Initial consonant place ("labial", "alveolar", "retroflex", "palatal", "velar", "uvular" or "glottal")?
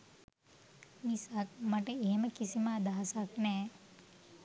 labial